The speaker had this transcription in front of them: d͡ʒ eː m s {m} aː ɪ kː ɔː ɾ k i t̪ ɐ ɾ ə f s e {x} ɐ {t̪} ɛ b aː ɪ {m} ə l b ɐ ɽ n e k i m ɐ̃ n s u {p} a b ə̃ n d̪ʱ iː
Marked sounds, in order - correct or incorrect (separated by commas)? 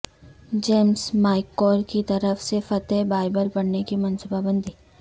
correct, incorrect, correct, incorrect, incorrect